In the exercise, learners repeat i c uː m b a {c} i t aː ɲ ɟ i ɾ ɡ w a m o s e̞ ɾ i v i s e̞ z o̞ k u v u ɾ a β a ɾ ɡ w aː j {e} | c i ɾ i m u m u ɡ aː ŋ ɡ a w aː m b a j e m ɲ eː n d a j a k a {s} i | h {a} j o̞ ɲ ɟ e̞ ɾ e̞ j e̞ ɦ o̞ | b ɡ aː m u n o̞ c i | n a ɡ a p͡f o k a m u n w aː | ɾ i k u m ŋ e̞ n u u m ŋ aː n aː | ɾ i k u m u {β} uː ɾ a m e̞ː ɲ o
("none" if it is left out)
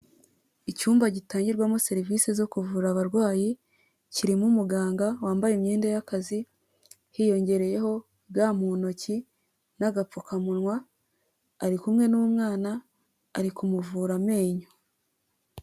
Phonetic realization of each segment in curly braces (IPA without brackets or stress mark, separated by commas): ɟ, i, z, i, v